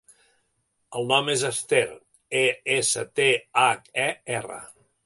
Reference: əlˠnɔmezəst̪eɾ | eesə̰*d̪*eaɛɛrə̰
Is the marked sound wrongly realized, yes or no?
yes